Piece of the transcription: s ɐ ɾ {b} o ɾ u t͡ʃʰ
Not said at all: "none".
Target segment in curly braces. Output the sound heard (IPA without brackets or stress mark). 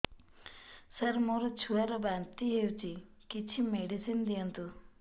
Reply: m